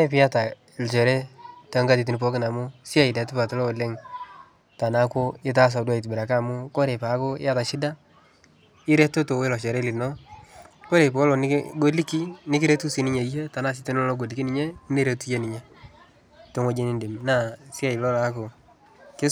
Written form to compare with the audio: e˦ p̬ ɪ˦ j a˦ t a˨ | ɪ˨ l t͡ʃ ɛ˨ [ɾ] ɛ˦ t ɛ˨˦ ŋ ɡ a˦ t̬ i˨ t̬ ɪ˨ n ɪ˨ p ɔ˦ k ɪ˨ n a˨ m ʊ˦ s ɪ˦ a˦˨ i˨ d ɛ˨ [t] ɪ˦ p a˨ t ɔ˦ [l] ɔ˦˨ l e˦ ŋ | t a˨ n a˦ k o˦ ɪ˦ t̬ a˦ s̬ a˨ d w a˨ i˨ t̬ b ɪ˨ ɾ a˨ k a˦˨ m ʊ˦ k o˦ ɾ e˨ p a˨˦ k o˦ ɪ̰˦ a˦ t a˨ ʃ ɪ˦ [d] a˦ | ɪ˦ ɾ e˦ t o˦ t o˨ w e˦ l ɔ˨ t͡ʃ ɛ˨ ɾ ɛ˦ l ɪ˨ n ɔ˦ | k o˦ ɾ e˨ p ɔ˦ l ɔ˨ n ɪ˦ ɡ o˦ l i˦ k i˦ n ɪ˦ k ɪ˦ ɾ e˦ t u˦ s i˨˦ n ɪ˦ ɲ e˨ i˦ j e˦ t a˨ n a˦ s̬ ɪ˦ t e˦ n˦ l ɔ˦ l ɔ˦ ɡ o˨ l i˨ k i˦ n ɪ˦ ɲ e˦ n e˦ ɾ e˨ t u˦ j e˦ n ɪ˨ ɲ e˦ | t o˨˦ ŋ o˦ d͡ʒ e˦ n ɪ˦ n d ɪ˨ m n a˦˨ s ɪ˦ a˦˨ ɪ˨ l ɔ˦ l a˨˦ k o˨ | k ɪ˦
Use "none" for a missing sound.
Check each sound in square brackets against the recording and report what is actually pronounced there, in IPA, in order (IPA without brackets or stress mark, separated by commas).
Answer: ɾ, t, l, d